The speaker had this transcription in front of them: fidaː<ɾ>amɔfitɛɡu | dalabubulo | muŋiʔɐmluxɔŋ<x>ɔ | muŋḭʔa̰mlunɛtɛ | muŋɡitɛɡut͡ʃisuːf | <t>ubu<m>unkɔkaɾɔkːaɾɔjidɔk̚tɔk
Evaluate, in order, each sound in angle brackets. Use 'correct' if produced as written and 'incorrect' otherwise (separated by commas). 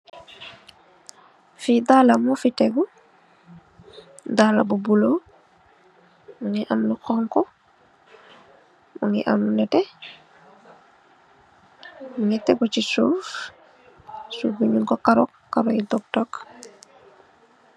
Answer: incorrect, incorrect, incorrect, incorrect